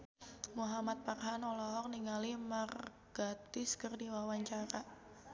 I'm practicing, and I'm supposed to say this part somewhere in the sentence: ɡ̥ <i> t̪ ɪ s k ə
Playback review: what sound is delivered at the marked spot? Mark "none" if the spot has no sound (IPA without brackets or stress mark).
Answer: a